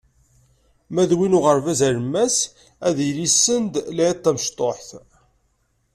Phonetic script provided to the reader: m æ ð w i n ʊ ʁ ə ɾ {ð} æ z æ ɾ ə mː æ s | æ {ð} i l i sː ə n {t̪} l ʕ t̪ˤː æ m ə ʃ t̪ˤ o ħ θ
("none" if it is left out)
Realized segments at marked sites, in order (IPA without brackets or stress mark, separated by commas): v, ð, d̪